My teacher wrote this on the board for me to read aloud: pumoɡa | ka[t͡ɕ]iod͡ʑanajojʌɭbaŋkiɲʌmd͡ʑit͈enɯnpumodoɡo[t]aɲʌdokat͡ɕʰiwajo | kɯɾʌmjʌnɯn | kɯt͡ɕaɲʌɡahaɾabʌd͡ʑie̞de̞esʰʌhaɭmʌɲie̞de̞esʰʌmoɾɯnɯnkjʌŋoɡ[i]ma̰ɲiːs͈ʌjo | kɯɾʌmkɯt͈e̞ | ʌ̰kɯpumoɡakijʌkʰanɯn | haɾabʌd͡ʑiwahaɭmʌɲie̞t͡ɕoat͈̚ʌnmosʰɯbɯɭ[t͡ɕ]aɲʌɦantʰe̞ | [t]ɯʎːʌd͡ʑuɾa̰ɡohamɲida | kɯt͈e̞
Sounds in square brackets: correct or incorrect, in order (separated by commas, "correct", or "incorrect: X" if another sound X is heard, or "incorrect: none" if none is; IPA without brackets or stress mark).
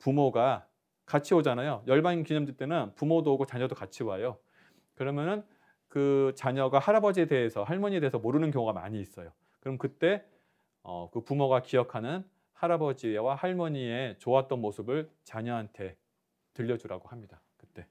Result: incorrect: t͡ɕʰ, incorrect: t͡ɕ, incorrect: a, correct, correct